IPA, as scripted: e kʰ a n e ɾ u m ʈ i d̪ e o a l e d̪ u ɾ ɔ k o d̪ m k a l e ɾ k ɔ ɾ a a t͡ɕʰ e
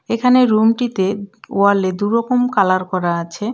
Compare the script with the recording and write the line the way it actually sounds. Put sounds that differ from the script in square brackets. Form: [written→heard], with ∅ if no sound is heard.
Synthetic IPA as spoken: e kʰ a n e ɾ u m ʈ i [d̪→t̪] e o a l e d̪ u ɾ ɔ k o [d̪→∅] m k a l [e→a] ɾ k ɔ ɾ a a t͡ɕʰ e